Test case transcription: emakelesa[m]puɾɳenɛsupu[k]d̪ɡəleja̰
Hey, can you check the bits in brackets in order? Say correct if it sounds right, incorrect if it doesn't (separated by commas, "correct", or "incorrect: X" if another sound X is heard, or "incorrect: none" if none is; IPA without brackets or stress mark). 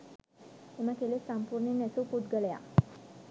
correct, incorrect: none